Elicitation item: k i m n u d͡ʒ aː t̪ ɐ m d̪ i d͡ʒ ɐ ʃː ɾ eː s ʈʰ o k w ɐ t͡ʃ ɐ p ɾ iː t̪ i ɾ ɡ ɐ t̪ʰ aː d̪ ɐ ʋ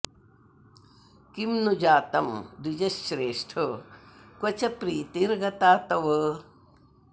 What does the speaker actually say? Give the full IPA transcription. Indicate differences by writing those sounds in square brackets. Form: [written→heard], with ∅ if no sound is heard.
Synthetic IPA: k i m n u d͡ʒ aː t̪ ɐ m d̪ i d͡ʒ ɐ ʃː ɾ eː [s→ʂ] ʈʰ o k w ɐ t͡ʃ ɐ p ɾ iː t̪ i ɾ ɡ ɐ [t̪ʰ→t̪] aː [d̪→t̪] ɐ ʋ